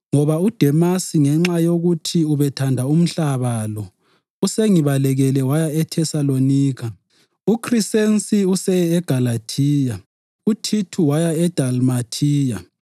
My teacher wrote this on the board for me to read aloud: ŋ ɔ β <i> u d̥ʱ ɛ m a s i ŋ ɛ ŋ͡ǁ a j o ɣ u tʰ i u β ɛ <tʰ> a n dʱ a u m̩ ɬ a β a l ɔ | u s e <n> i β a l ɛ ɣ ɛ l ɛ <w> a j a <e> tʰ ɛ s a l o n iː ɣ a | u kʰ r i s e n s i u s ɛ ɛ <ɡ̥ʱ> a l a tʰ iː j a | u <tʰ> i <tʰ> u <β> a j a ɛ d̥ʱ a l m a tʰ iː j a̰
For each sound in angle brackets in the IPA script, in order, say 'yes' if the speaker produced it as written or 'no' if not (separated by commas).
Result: no, yes, no, yes, no, yes, yes, yes, no